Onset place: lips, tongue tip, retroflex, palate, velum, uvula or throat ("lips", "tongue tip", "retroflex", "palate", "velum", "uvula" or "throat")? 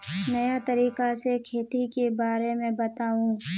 tongue tip